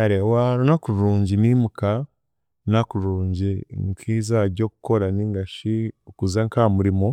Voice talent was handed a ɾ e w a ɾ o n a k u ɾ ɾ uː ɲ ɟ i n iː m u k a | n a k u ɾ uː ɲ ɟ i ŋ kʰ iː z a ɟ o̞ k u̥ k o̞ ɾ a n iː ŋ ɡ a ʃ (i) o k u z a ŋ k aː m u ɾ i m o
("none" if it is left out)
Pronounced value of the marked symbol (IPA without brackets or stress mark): i